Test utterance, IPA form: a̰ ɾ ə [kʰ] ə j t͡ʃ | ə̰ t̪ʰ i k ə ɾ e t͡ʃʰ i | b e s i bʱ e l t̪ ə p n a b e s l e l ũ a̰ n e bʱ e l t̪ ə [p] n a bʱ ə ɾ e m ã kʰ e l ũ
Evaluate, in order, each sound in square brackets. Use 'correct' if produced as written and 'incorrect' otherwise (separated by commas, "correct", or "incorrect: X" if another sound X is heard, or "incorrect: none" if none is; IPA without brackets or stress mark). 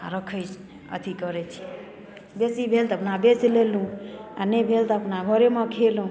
correct, correct